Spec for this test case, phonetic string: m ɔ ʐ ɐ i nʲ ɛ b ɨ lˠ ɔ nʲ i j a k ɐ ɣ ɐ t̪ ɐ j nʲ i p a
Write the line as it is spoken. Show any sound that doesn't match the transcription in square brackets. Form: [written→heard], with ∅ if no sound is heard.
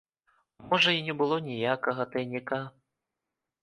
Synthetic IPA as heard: m ɔ ʐ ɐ i nʲ ɛ b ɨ lˠ ɔ nʲ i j a k ɐ ɣ ɐ t̪ ɐ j nʲ i [p→k] a

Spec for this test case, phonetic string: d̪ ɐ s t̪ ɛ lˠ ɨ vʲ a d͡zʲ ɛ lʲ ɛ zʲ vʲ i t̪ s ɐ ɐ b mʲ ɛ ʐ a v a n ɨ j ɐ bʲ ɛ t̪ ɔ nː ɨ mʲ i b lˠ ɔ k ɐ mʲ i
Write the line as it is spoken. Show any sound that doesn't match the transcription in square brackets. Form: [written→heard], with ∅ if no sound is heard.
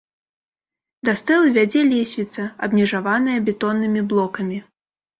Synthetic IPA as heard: d̪ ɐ s t̪ ɛ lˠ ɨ vʲ a d͡zʲ ɛ lʲ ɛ [zʲ→sʲ] vʲ i t̪ s ɐ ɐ b mʲ ɛ ʐ a v a n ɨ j ɐ bʲ ɛ t̪ ɔ nː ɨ mʲ i b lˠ ɔ k ɐ mʲ i

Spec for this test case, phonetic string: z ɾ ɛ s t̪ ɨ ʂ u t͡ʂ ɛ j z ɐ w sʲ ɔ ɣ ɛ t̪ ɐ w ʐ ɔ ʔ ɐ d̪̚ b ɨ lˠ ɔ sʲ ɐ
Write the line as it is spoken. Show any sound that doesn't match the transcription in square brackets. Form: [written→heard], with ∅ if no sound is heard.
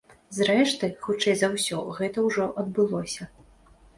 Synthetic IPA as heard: z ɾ ɛ [s→ʂ] t̪ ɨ [ʂ→x] u t͡ʂ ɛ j z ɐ w sʲ ɔ ɣ ɛ t̪ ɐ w ʐ ɔ ʔ ɐ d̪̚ b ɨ lˠ ɔ sʲ ɐ

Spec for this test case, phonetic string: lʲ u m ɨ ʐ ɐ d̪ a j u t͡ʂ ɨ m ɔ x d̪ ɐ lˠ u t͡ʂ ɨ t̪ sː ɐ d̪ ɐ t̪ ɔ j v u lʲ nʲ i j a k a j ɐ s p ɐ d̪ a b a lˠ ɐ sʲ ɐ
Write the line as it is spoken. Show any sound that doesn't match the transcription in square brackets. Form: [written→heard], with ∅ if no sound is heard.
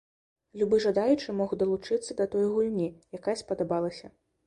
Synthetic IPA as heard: lʲ u [m→b] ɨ ʐ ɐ d̪ a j u t͡ʂ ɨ m ɔ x d̪ ɐ lˠ u t͡ʂ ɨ t̪ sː ɐ d̪ ɐ t̪ ɔ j [v→ɣ] u lʲ nʲ i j a k a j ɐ s p ɐ d̪ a b a lˠ ɐ sʲ ɐ

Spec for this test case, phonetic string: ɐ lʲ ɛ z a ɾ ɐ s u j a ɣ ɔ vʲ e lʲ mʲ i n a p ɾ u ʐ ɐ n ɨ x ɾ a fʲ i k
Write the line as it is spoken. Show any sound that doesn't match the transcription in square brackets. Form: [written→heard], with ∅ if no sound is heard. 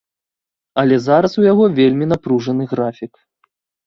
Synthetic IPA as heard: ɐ lʲ ɛ z a ɾ ɐ s u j a ɣ ɔ vʲ e lʲ mʲ i n a p ɾ u ʐ ɐ n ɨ [x→ɣ] ɾ a fʲ i k

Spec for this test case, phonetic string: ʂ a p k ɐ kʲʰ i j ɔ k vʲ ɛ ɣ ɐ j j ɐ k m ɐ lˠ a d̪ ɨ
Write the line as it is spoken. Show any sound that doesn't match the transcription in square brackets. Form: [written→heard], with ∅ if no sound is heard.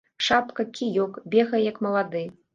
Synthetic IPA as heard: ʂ a p k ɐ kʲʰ i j ɔ k [vʲ→bʲ] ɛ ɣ ɐ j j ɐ k m ɐ lˠ a d̪ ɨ

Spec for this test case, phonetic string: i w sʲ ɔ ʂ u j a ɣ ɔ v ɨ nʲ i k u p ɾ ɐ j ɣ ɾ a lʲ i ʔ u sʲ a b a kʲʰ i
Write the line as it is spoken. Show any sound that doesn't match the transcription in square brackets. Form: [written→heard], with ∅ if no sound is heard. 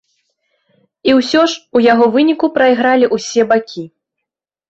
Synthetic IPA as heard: i w sʲ ɔ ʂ u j a ɣ ɔ v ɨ nʲ i k u p ɾ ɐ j ɣ ɾ a lʲ i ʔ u sʲ [a→ɛ] b a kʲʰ i

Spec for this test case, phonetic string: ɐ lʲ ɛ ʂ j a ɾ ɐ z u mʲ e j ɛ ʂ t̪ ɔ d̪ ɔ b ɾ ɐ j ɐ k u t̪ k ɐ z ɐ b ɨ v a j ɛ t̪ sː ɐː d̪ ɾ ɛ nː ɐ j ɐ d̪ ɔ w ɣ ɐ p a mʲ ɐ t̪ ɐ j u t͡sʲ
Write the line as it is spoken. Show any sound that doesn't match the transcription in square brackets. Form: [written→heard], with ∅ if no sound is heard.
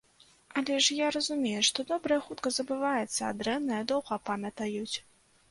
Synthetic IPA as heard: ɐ lʲ ɛ ʂ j a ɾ ɐ z u mʲ e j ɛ ʂ t̪ ɔ d̪ ɔ b ɾ ɐ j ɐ [k→x] u t̪ k ɐ z ɐ b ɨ v a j ɛ t̪ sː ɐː d̪ ɾ ɛ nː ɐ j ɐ d̪ ɔ w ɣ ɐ p a mʲ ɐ t̪ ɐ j u t͡sʲ

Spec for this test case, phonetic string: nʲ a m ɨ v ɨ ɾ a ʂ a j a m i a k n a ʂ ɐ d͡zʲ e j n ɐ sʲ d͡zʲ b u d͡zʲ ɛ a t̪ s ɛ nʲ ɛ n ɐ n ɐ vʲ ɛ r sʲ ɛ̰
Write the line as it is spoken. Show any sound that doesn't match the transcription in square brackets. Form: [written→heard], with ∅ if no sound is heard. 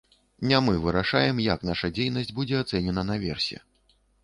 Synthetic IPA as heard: nʲ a m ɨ v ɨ ɾ a ʂ a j [a→ɛ] m [i→j] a k n a ʂ ɐ d͡zʲ e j n ɐ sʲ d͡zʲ b u d͡zʲ ɛ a t̪ s ɛ nʲ ɛ n ɐ n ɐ vʲ ɛ r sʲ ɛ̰

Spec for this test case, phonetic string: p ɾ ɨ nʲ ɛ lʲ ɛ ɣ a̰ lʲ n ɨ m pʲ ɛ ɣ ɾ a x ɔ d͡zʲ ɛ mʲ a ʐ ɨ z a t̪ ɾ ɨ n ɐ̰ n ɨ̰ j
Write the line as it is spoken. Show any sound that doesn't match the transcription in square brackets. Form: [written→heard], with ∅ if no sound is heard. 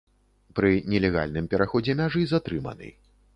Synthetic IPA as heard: p ɾ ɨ nʲ ɛ lʲ ɛ ɣ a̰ lʲ n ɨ m pʲ ɛ [ɣ→∅] ɾ a x ɔ d͡zʲ ɛ mʲ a ʐ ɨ z a t̪ ɾ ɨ [n→m] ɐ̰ n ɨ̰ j

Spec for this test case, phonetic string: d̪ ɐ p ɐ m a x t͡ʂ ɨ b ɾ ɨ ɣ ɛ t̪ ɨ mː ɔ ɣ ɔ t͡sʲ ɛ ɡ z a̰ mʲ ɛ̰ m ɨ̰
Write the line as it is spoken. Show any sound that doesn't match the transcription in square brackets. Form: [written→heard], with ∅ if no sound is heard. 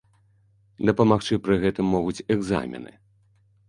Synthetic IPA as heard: d̪ ɐ p ɐ m a x t͡ʂ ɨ [b→p] ɾ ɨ ɣ ɛ t̪ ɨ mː ɔ ɣ [ɔ→u] t͡sʲ ɛ ɡ z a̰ mʲ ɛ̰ [m→n] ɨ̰

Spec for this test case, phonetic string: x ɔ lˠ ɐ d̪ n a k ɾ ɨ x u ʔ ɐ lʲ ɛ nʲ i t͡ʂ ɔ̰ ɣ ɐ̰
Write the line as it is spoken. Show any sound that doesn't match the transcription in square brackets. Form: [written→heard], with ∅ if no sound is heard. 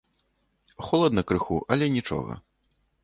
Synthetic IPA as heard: x ɔ lˠ ɐ d̪ n [a→ɐ] k ɾ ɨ x u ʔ ɐ lʲ ɛ nʲ i t͡ʂ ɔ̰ ɣ ɐ̰

